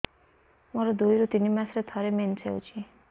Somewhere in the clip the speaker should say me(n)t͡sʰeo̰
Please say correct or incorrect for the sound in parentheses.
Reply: correct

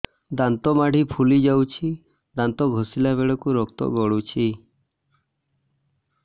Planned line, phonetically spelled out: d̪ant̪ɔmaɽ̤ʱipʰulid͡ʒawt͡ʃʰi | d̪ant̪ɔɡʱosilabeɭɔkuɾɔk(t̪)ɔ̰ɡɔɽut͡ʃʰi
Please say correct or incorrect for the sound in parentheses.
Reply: correct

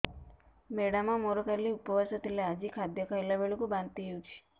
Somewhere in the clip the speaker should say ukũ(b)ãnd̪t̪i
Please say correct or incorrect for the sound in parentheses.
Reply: correct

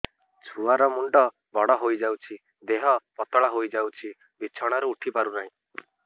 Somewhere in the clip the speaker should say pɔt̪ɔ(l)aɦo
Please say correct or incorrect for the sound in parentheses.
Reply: incorrect: ɭ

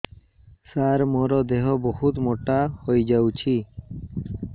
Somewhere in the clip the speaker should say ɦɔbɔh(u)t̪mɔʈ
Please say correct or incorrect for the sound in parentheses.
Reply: correct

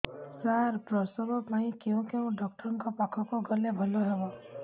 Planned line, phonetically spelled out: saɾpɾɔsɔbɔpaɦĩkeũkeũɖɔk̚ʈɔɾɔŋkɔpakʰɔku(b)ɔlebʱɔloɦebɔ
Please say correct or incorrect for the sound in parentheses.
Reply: incorrect: ɡ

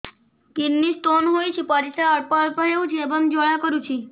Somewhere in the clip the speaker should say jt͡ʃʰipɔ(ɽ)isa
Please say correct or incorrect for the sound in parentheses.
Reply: incorrect: ɾ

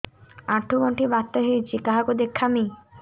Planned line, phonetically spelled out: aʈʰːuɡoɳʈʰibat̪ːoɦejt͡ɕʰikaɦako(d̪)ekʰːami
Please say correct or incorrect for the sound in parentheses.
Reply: correct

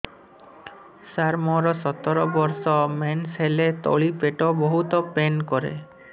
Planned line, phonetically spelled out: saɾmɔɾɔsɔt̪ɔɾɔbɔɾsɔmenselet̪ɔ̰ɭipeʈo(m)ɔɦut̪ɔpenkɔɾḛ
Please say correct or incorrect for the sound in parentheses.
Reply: incorrect: b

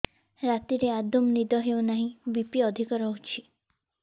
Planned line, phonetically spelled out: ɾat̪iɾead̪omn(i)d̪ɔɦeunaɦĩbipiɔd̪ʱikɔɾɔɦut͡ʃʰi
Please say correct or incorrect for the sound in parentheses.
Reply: correct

